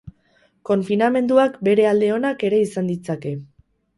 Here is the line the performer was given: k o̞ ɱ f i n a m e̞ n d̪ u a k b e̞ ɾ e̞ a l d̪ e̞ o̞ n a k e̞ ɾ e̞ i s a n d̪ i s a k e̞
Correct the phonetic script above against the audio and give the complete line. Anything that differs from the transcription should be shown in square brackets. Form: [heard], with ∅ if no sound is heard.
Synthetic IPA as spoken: k o̞ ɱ f i n a m e̞ n d̪ u a k b e̞ ɾ e̞ a l d̪ e̞ o̞ n a k e̞ ɾ e̞ i s a n d̪ i [t͡s] a k e̞